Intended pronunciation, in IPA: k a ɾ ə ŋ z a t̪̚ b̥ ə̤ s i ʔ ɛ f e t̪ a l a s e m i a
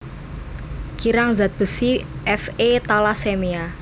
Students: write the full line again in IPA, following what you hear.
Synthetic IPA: k i ɾ a ŋ z a t̪̚ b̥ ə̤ s i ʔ ɛ f e t̪ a l a s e m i a